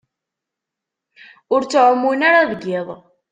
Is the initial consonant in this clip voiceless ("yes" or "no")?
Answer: no